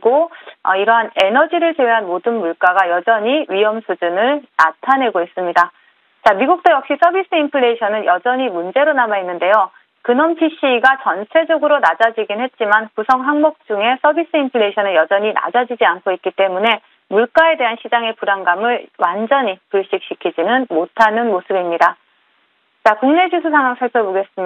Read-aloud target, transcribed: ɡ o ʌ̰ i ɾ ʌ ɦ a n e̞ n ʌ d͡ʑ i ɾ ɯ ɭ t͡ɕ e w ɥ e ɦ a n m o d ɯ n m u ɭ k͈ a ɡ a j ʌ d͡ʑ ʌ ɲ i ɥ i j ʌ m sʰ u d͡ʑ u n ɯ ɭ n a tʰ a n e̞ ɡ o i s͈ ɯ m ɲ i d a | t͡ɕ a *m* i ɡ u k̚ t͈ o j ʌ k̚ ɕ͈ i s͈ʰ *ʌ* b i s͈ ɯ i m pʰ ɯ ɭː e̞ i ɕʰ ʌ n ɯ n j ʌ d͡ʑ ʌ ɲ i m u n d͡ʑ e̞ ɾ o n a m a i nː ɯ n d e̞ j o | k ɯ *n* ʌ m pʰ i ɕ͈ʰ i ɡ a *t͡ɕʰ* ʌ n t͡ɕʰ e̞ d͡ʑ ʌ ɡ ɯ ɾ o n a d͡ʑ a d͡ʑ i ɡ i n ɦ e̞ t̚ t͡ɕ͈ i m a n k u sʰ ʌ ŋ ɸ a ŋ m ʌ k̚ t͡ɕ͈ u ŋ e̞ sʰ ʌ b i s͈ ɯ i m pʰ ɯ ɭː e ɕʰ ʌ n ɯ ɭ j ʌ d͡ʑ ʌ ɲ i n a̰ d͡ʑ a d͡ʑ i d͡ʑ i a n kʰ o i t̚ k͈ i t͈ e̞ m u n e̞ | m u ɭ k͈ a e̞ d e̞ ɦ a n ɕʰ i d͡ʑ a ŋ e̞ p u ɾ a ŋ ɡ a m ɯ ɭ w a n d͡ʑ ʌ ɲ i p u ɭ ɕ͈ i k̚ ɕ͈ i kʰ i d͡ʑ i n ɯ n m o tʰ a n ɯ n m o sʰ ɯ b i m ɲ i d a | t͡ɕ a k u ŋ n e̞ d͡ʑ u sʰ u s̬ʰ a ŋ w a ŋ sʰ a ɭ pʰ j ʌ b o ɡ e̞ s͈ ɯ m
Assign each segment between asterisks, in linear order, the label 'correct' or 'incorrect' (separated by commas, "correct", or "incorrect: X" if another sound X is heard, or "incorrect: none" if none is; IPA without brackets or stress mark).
correct, correct, correct, incorrect: t͡ɕ